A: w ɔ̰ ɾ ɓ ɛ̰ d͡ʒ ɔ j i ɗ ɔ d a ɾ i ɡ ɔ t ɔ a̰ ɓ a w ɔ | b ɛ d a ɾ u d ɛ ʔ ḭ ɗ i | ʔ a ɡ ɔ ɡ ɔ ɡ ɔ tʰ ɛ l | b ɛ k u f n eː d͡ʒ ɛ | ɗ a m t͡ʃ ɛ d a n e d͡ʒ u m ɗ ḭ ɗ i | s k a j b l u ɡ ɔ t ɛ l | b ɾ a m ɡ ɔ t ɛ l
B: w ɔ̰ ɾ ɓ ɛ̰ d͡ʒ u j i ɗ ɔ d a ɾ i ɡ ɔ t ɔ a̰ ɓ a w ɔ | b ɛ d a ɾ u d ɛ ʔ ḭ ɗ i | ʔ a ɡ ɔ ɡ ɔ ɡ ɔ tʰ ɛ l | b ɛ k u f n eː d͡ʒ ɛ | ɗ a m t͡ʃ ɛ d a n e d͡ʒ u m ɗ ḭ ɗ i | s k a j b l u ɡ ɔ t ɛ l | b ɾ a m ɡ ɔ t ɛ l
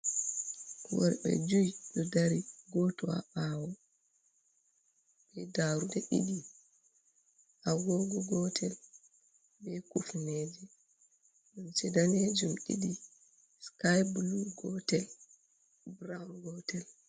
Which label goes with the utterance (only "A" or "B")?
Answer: B